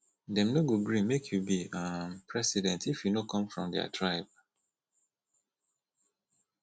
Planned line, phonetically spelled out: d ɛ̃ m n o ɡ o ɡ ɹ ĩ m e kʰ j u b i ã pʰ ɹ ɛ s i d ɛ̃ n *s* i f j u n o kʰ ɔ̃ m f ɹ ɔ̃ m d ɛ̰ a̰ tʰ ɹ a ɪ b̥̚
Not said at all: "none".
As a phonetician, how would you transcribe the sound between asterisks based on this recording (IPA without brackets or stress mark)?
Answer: t